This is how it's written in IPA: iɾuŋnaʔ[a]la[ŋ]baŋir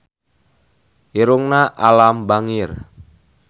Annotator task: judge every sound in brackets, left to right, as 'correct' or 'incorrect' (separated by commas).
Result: correct, incorrect